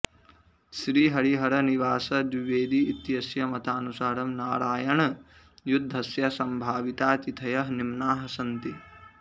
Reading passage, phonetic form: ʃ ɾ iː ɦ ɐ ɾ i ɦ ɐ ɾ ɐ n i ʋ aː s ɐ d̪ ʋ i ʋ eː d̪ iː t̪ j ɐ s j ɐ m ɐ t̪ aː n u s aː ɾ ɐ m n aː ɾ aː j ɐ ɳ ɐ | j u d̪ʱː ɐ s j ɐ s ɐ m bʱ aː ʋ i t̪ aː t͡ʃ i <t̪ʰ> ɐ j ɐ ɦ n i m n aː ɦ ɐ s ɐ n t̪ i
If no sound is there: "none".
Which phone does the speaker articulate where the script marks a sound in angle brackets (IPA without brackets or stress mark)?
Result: t̪ʰ